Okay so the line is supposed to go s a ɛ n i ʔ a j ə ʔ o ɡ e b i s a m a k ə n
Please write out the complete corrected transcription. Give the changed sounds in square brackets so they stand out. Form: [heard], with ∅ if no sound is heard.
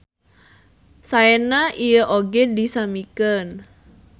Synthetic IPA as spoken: s a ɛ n [a] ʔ [i] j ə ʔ o ɡ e [d] i s a m [i] k ə n